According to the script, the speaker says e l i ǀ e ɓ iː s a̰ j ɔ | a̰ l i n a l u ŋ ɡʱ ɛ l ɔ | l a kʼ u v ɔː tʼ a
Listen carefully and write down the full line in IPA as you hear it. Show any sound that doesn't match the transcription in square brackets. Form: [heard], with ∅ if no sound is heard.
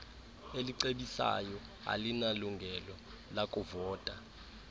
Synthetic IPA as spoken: e l i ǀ e ɓ [i] s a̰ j ɔ | a̰ l i n a l u ŋ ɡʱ ɛ l ɔ | l a kʼ u v ɔː tʼ a